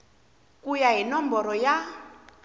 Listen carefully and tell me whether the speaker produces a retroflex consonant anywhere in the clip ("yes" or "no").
no